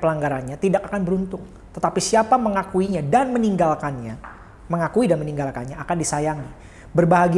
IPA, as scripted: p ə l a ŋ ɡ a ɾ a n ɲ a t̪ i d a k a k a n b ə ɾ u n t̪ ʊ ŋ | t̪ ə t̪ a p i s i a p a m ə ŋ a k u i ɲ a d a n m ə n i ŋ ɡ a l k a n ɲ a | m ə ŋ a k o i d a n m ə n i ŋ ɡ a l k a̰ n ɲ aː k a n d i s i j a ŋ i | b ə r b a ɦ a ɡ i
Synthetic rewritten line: p ə l a ŋ ɡ a ɾ a n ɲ a t̪ i d a k a k a n b ə ɾ u n t̪ ʊ ŋ | t̪ ə t̪ a p i s i a p a m ə ŋ a k u i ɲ a d a n m ə n i ŋ ɡ a l k a n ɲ a | m ə ŋ a k u i d a n m ə n i ŋ ɡ a l k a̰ n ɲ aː k a n d i s a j a ŋ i | b ə r b a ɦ a ɡ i

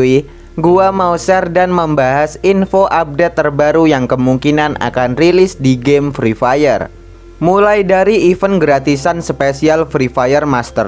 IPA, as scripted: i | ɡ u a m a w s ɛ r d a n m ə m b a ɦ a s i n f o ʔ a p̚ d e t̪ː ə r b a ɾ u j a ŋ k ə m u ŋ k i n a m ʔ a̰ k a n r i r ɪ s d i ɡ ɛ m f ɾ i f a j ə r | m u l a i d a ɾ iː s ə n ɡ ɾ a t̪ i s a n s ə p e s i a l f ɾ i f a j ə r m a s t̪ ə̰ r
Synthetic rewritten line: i | ɡ u a m a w s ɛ r d a n m ə m b a ɦ a s i n f o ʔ a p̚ d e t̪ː ə r b a ɾ u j a ŋ k ə m u ŋ k i n a n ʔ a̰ k a n r i l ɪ s d i ɡ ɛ m f ɾ i f a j ə r | m u l a j d a ɾ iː f ə n ɡ ɾ a t̪ i s a n s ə p e s i a l f ɾ i f a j ə r m a s t̪ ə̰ r

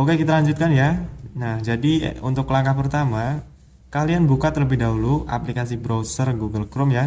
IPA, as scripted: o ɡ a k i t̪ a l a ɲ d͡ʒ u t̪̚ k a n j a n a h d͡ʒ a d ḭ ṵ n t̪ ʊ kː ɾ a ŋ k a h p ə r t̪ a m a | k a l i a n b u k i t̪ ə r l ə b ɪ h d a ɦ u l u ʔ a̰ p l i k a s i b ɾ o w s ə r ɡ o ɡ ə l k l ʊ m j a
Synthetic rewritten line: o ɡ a k i t̪ a l a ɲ d͡ʒ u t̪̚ k a n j a n a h d͡ʒ a d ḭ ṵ n t̪ ʊ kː l a ŋ k a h p ə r t̪ a m a | k a l i a n b u k a t̪ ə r l ə b ɪ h d a ɦ u l u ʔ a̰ p l i k a s i b ɾ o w s ə r ɡ u ɡ ə l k ɾ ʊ m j a

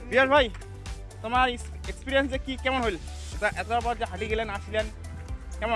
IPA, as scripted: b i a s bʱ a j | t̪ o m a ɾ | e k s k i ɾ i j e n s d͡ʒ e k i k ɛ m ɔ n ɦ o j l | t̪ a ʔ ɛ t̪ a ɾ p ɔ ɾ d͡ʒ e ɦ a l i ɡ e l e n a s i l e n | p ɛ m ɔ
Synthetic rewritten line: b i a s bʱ a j | t̪ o m a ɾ | e k s p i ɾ i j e n s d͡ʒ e k i k ɛ m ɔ n ɦ o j l | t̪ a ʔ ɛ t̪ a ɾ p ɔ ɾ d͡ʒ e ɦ a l i ɡ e l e n a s i l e n | k ɛ m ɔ

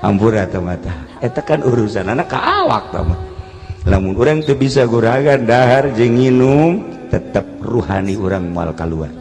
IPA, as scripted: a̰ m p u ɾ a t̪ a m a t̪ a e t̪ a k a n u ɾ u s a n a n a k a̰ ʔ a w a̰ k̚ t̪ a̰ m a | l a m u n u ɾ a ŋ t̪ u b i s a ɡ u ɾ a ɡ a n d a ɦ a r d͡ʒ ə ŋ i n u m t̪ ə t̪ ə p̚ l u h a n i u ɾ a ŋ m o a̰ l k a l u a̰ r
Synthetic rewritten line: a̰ m p u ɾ a t̪ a m a t̪ a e t̪ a k a n u ɾ u s a n a n a k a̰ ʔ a w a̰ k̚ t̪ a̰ m a | l a m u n u ɾ a ŋ t̪ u b i s a ɡ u ɾ a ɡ a n d a ɦ a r d͡ʒ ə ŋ i n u m t̪ ə t̪ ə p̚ r u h a n i u ɾ a ŋ m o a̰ l k a l u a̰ r

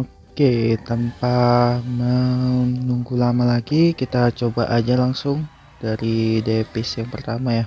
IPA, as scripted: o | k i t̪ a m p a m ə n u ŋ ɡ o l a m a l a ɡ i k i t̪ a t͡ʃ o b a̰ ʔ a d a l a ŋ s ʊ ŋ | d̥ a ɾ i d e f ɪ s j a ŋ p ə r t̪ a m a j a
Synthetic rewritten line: o | k e t̪ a m p a m ə n u ŋ ɡ u l a m a l a ɡ i k i t̪ a t͡ʃ o b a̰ ʔ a d͡ʒ a l a ŋ s ʊ ŋ | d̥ a ɾ i d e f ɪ s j a ŋ p ə r t̪ a m a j a

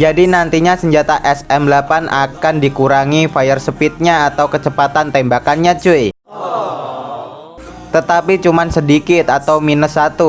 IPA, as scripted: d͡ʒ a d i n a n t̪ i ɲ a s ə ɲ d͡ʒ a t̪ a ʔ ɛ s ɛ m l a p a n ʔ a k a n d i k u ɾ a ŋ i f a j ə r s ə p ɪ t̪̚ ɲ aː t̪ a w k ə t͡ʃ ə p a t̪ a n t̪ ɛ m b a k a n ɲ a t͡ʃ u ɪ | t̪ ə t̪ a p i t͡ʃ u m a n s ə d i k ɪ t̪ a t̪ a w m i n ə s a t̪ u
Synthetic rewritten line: d͡ʒ a d i n a n t̪ i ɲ a s ə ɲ d͡ʒ a t̪ a ʔ ɛ s ɛ m l a p a n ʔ a k a n d i k u ɾ a ŋ i f a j ə r s ə p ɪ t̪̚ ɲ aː t̪ a w k ə t͡ʃ ə p a t̪ a n t̪ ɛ m b a k a n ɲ a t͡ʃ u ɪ | t̪ ə t̪ a p i t͡ʃ u m a n s ə d i k ɪ t̪ a t̪ a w m i n ə s a t̪ u

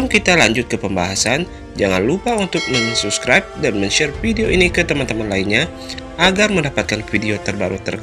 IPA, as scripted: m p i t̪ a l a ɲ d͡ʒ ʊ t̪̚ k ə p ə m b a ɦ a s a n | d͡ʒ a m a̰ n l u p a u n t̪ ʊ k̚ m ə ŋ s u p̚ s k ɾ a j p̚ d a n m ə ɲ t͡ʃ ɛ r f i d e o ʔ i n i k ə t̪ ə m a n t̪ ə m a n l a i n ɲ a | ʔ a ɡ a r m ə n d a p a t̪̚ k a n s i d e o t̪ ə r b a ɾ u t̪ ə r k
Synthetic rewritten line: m k i t̪ a l a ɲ d͡ʒ ʊ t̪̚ k ə p ə m b a ɦ a s a n | d͡ʒ a ŋ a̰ n l u p a u n t̪ ʊ k̚ m ə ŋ s u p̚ s k ɾ a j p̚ d a n m ə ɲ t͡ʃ ɛ r f i d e o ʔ i n i k ə t̪ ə m a n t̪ ə m a n l a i n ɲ a | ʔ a ɡ a r m ə n d a p a t̪̚ k a n f i d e o t̪ ə r b a ɾ u t̪ ə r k

